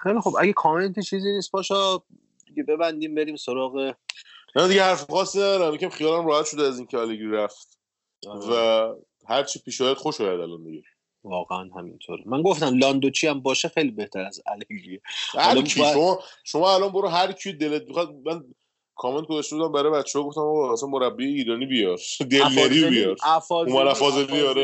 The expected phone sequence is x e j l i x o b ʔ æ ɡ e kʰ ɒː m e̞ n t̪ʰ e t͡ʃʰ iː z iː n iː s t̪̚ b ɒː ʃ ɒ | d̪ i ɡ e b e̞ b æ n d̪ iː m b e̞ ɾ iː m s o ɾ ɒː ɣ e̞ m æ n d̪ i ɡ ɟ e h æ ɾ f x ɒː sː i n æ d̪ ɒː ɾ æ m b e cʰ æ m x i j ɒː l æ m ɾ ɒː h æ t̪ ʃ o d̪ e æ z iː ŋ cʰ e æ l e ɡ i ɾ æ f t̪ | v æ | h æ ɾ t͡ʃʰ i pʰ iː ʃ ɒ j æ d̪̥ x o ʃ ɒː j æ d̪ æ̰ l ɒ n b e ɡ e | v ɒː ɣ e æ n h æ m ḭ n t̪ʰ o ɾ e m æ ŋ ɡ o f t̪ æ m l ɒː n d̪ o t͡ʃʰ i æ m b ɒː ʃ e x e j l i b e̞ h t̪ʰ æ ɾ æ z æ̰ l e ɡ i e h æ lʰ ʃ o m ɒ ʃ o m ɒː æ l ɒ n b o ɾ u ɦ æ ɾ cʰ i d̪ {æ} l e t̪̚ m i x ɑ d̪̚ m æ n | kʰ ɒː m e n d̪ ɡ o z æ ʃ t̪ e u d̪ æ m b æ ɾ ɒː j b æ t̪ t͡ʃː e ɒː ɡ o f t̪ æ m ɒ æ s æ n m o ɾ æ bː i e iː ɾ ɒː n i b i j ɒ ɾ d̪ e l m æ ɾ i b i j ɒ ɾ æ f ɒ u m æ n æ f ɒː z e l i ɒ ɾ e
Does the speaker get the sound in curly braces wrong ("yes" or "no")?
yes